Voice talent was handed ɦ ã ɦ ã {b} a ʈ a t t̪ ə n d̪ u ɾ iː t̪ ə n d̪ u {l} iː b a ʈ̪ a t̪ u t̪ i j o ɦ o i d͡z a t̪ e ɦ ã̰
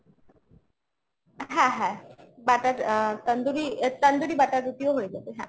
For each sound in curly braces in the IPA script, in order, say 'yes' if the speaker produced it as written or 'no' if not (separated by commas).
yes, no